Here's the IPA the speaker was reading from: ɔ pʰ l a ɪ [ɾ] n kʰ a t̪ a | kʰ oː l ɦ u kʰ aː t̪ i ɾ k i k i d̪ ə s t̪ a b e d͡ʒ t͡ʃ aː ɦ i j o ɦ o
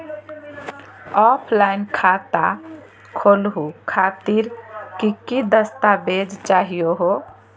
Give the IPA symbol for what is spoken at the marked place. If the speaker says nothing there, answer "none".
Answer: none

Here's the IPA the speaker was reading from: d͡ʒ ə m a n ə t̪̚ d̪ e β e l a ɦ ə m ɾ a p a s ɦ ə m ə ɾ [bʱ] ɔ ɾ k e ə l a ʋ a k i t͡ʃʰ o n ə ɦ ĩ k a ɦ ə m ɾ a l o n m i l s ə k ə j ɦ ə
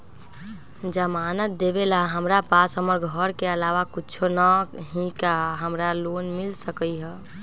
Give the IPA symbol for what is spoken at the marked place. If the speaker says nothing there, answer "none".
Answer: ɡʱ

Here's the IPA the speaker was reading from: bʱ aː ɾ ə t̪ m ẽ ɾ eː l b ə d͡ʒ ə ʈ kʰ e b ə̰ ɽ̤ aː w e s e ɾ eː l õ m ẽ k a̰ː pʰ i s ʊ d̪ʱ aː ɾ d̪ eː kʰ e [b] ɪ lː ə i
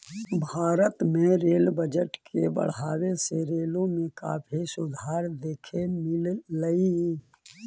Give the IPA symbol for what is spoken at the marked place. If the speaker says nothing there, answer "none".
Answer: m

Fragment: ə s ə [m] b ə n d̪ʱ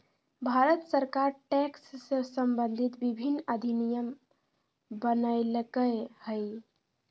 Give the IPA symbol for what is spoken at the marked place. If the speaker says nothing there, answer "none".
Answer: m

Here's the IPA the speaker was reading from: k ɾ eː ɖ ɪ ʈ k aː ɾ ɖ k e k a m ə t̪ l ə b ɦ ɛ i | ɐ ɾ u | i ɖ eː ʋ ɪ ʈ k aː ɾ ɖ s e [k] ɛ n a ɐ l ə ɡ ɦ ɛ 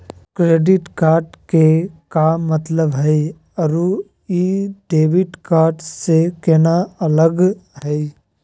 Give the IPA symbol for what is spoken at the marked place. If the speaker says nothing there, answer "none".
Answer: k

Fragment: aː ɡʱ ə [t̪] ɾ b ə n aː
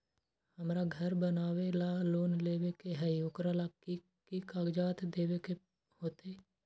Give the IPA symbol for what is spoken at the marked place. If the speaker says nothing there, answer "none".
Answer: none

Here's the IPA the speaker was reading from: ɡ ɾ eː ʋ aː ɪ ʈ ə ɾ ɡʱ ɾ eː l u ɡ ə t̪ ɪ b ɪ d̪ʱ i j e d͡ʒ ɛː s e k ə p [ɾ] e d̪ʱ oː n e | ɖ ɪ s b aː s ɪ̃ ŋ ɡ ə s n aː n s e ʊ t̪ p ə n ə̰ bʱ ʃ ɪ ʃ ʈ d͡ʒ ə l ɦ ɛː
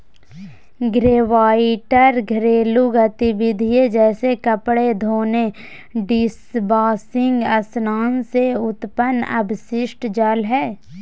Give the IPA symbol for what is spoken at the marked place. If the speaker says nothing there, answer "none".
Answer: ɽ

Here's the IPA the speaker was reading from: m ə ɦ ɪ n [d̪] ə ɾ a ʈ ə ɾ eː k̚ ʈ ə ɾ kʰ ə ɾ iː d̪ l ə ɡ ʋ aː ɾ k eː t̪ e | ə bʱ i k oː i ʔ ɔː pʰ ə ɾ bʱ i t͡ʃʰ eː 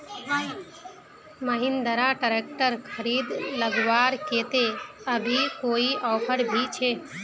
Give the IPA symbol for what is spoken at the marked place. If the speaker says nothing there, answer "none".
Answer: d̪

